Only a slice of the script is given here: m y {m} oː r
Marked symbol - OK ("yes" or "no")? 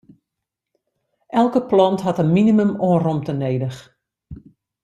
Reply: yes